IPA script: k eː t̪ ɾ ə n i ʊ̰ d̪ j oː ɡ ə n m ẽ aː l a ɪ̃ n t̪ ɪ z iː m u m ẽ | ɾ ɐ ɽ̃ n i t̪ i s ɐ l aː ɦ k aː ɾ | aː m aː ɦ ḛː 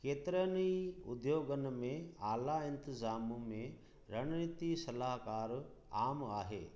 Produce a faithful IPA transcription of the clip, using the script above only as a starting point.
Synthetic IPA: k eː t̪ ɾ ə n i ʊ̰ d̪ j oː ɡ ə n m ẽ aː l a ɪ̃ n t̪ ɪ z aː m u m ẽ | ɾ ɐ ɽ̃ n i t̪ i s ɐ l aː ɦ k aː ɾ | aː m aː ɦ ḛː